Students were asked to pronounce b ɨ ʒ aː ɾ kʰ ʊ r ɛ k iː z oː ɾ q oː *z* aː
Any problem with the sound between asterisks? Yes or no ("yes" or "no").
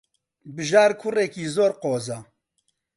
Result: no